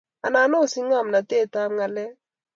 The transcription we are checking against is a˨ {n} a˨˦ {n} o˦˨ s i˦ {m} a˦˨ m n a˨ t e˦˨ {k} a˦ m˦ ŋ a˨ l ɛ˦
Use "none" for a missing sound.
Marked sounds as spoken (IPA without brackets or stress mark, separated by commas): n, n, ŋ, t